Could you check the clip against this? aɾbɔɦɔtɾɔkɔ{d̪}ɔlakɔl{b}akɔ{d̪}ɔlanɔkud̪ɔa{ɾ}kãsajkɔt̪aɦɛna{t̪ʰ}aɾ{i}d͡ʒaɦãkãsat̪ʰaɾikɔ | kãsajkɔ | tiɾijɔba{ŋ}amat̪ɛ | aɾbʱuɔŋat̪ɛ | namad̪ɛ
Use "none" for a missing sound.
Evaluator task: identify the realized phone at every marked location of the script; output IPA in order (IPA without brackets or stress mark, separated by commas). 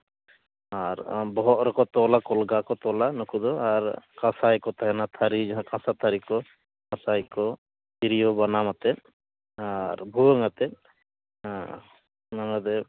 t̪, ɡ, t̪, ɾ, t̪ʰ, i, n